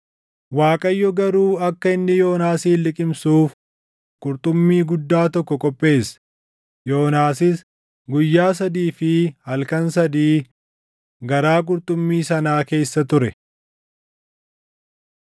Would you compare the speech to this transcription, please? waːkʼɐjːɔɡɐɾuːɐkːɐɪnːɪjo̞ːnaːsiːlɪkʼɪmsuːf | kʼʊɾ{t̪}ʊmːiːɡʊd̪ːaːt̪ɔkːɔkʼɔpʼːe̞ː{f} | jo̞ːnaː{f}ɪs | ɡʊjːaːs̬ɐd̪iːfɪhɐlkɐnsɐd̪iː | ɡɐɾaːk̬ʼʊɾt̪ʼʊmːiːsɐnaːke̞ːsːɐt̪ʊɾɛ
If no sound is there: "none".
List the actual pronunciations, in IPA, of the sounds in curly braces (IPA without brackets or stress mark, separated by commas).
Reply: t̪ʼ, s, s